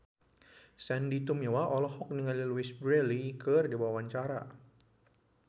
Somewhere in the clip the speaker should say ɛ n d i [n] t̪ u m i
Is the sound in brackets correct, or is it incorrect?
incorrect